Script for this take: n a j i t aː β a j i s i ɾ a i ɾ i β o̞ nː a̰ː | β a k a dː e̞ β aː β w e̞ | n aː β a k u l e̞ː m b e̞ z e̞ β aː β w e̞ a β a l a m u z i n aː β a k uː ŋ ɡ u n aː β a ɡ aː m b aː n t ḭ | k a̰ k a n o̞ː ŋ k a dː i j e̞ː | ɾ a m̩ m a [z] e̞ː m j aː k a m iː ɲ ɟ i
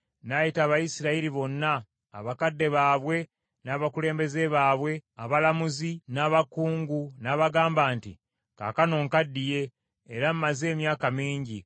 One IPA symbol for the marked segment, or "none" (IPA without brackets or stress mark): z